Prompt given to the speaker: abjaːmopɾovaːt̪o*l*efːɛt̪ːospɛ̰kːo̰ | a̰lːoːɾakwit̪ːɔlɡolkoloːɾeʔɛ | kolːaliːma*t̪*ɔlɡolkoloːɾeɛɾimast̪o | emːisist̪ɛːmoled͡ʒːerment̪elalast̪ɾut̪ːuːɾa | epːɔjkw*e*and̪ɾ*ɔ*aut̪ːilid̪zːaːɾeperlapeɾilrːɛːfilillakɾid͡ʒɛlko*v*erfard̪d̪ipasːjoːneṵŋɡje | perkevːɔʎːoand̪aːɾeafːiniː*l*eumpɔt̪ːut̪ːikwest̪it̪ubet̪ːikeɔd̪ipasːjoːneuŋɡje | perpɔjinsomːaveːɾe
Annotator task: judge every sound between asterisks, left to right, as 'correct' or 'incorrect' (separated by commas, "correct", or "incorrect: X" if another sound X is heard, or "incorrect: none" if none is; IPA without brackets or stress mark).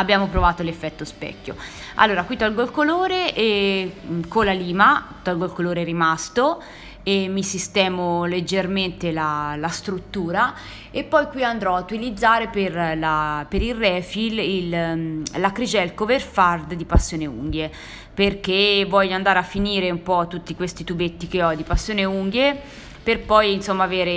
correct, correct, incorrect: i, correct, correct, incorrect: ɾ